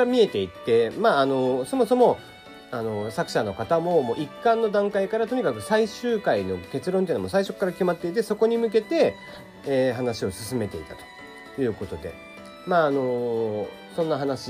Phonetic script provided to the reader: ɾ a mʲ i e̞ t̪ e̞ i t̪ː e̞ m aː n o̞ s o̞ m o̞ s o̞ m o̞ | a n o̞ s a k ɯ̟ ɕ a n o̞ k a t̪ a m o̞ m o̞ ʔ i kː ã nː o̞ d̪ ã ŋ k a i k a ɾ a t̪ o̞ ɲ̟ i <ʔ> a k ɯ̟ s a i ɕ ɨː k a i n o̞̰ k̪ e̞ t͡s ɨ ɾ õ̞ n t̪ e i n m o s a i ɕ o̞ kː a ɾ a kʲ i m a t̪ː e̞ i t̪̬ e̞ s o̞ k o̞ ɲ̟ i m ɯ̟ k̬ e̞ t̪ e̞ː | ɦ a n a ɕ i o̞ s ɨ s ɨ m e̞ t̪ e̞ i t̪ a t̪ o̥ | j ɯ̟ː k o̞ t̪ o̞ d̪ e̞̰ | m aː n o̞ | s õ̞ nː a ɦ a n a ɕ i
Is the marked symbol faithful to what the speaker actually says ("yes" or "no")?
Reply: no